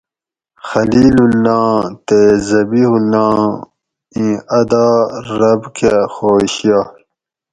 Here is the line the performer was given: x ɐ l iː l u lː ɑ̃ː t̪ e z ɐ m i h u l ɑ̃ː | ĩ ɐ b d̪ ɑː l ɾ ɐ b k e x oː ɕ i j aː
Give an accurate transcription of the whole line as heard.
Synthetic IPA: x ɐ l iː l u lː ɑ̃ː t̪ e z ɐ b i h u l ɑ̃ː | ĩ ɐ d̪ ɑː ɾ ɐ b k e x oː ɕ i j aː